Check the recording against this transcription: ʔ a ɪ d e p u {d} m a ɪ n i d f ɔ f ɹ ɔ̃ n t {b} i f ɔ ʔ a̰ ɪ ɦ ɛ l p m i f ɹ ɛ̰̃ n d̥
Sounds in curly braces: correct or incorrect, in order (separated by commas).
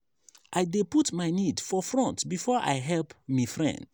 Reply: incorrect, correct